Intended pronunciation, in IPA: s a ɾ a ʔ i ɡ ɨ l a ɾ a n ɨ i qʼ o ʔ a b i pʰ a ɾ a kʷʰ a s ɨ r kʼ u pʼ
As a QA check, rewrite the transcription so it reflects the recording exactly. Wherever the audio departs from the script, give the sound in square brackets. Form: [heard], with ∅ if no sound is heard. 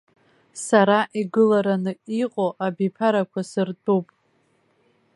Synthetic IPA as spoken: s a ɾ a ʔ i ɡ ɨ l a ɾ a n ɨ i qʼ o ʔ a b i pʰ a ɾ a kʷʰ a s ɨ r [tʼ] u pʼ